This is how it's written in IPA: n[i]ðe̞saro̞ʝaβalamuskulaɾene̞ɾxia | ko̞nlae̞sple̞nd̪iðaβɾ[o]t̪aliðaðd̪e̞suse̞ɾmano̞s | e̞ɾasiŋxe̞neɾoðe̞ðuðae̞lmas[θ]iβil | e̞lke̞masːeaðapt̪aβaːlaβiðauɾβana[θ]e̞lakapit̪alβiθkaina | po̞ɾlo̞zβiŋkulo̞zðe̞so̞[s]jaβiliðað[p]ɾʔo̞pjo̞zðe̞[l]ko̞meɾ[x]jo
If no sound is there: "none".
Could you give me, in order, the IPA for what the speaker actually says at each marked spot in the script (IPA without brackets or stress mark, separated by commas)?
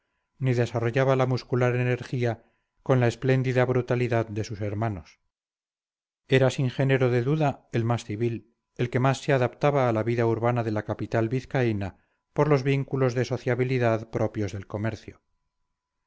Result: i, u, θ, ð, θ, p, l, θ